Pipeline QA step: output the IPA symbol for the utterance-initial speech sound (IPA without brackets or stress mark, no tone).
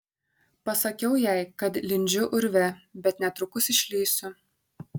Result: p